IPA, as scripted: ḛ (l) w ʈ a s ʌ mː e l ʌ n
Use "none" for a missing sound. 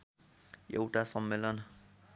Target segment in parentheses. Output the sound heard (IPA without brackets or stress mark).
none